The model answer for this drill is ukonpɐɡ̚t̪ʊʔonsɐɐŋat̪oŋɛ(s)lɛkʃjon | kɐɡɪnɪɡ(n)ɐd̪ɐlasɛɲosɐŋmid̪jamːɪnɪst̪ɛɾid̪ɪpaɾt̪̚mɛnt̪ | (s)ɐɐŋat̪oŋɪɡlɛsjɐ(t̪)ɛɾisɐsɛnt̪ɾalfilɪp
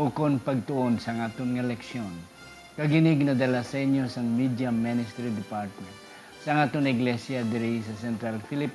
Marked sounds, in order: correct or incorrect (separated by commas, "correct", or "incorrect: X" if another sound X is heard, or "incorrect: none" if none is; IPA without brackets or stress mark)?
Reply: incorrect: none, correct, correct, incorrect: d̪